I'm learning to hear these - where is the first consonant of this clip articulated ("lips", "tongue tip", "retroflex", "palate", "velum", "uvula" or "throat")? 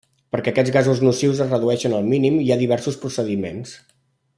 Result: lips